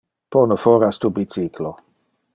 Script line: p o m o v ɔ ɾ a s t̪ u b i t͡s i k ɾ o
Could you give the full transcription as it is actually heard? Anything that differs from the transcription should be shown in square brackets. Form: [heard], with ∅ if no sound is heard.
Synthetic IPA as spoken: p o [n] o [f] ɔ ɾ a s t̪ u b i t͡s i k [l] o